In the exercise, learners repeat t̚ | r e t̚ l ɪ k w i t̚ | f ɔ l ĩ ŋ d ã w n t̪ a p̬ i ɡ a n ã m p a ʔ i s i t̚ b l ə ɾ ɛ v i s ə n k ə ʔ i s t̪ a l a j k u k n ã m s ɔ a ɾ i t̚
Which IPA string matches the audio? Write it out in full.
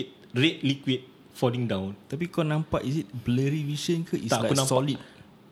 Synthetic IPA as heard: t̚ | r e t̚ l i k w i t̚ | f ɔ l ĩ ŋ d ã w n t̪ a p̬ i k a n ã m p a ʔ i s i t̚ b l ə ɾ i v i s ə n k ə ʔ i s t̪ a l a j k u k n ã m s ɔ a l i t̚